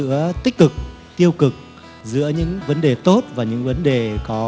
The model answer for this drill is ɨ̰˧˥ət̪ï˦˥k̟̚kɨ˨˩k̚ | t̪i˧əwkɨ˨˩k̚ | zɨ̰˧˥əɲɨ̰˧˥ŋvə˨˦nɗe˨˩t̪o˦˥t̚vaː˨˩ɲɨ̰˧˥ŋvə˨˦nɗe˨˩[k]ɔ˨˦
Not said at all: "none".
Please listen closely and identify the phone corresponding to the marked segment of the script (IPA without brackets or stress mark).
k